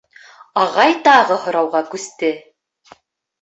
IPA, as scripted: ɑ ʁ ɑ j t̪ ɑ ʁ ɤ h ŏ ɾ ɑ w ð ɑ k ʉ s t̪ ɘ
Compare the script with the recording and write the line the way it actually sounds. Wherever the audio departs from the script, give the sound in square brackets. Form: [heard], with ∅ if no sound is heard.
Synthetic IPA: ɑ ʁ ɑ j t̪ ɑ ʁ ɤ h ŏ ɾ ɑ w [ʁ] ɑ k ʉ s t̪ ɘ